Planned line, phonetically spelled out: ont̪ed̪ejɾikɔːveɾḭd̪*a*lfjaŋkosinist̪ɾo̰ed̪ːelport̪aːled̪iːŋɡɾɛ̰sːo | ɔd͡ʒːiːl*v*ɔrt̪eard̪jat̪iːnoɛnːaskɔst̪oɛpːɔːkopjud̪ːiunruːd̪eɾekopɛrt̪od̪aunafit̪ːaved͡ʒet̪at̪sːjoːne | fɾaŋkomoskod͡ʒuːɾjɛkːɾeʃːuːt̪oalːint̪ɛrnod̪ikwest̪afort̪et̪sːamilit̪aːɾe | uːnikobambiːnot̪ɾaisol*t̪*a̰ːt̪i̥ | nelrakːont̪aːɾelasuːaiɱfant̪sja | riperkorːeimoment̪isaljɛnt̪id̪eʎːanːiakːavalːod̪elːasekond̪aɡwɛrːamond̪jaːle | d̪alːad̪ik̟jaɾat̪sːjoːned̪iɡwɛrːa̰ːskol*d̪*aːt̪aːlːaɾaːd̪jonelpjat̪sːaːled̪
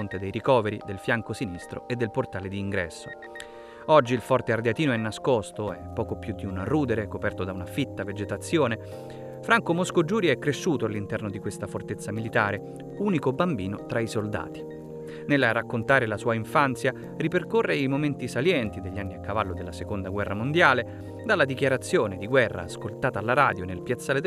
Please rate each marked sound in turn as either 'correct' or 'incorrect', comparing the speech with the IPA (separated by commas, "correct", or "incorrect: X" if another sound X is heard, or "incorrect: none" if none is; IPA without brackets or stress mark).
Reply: incorrect: e, incorrect: f, incorrect: d̪, incorrect: t̪